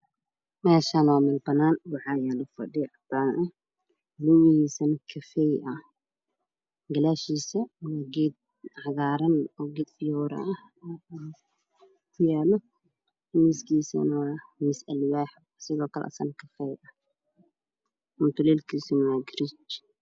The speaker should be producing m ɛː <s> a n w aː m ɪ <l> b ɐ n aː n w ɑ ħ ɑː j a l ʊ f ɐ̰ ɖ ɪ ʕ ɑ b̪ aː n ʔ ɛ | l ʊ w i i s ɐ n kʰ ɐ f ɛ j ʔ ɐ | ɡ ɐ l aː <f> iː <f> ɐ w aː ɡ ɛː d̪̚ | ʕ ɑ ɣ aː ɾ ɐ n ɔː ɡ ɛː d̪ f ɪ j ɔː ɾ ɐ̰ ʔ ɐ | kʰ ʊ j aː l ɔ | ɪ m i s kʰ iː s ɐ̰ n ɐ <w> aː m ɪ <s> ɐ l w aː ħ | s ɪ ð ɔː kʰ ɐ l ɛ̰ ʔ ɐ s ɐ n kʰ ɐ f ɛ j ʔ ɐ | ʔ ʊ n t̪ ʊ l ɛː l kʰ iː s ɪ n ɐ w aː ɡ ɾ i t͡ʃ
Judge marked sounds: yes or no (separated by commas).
no, yes, no, no, yes, yes